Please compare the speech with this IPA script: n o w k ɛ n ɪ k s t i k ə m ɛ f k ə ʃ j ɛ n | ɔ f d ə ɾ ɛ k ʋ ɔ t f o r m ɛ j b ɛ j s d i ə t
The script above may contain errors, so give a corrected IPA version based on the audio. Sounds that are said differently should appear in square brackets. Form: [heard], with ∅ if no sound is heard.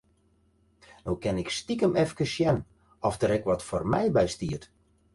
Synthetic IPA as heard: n o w k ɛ n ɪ k s t i k ə m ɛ f k ə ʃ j ɛ n | ɔ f d ə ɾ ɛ k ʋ ɔ t f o r m ɛ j b ɛ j s [t] i ə t

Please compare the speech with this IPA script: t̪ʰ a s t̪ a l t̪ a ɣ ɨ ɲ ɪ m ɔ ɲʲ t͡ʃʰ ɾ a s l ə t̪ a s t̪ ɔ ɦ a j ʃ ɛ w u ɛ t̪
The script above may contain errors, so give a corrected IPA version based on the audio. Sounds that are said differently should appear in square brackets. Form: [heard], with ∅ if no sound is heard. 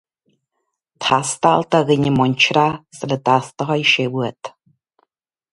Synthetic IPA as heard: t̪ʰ a s t̪ a l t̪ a ɣ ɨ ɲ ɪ m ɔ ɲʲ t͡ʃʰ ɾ a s l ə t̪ a s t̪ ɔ ɦ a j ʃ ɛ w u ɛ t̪

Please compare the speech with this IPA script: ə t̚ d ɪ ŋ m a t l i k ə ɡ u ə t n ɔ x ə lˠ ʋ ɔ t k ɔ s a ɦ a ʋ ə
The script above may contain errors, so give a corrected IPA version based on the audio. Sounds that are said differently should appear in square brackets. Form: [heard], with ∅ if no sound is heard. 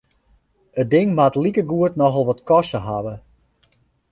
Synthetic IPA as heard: ə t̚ d ɪ ŋ m a t l i k ə ɡ u ə t n ɔ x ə lˠ ʋ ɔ t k ɔ s [ə] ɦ a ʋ ə

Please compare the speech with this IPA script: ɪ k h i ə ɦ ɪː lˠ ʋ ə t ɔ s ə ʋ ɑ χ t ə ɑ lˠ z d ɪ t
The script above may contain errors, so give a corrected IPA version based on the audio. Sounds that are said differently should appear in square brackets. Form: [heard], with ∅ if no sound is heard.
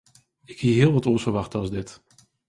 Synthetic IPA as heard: ɪ k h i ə ɦ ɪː lˠ ʋ [ɑ] t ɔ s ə ʋ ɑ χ t ə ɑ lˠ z d ɪ t

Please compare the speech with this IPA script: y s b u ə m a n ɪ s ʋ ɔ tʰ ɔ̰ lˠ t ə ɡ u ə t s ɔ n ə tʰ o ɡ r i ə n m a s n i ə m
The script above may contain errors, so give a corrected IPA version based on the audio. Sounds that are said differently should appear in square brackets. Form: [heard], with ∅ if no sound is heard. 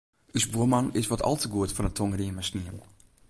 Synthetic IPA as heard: y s b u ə m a n ɪ s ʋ ɔ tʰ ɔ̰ lˠ t ə ɡ u ə t [f] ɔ n ə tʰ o [ŋ] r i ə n m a s n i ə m

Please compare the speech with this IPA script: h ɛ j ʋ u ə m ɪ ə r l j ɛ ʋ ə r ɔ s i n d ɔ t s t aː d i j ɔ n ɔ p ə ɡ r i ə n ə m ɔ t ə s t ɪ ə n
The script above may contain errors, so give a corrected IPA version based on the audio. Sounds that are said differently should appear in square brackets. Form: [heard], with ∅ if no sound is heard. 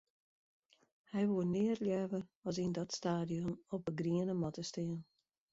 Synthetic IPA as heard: h ɛ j ʋ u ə [n] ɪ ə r l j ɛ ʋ ə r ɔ s i n d ɔ t s t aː d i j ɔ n ɔ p ə ɡ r i ə n ə m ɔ t ə s t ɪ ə n

